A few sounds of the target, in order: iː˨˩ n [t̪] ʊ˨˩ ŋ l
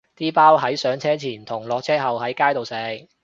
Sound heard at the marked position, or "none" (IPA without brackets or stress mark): t̪ʰ